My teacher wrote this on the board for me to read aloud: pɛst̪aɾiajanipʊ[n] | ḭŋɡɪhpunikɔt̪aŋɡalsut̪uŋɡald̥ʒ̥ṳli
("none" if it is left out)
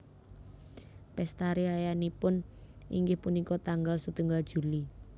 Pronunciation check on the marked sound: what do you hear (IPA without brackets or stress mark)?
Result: n